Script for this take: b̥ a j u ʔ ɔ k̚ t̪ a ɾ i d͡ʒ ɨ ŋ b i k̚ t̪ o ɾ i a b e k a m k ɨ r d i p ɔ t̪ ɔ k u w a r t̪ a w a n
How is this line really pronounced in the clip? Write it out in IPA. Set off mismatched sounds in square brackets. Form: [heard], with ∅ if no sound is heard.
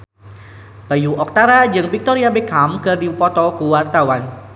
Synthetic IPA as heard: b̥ a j u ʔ ɔ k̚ t̪ a ɾ [a] d͡ʒ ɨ ŋ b i k̚ t̪ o ɾ i a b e k a m k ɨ r d i p ɔ t̪ ɔ k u w a r t̪ a w a n